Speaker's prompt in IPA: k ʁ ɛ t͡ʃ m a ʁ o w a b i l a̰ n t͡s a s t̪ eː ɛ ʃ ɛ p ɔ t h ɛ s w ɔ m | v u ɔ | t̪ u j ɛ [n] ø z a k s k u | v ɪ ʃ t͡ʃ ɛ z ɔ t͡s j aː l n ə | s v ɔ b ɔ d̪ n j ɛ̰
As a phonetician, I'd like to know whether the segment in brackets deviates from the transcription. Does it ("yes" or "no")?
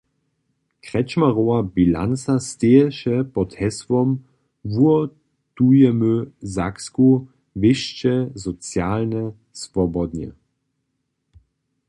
yes